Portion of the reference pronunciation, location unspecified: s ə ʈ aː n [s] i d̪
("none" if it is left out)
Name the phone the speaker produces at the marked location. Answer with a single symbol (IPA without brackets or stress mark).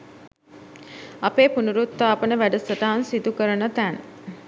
s